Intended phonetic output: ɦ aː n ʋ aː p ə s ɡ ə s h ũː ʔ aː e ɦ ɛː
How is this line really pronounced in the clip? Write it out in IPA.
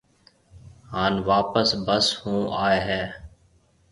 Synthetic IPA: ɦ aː n ʋ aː p ə s b ə s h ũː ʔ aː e ɦ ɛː